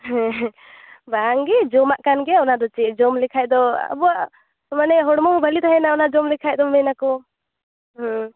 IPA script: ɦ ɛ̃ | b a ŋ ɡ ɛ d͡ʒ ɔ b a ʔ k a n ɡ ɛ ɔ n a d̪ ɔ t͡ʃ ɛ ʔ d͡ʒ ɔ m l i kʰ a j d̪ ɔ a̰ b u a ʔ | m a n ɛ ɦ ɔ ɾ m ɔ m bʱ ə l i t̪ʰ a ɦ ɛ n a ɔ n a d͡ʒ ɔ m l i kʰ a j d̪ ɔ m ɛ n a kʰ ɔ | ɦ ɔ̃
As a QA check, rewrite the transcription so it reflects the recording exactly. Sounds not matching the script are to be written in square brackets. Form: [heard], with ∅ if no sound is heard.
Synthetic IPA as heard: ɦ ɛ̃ | b a ŋ ɡ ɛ d͡ʒ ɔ [m] a ʔ k a n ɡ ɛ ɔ n a d̪ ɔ t͡ʃ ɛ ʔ d͡ʒ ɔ m l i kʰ a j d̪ ɔ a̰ b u a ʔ | m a n ɛ ɦ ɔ [ɽ] m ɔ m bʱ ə l i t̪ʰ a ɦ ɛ n a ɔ n a d͡ʒ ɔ m l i kʰ a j d̪ ɔ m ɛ n a [k] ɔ | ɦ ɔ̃